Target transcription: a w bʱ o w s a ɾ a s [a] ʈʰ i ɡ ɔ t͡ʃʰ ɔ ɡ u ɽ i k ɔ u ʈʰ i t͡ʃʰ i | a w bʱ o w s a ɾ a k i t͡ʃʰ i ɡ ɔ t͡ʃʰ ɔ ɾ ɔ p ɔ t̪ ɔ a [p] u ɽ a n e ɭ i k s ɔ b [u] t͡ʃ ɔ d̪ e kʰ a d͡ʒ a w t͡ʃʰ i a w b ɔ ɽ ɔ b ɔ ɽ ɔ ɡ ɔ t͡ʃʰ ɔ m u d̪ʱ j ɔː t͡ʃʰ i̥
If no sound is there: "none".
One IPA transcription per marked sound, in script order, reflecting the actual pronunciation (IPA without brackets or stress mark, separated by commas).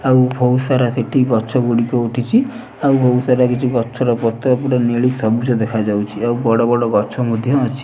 e, p, u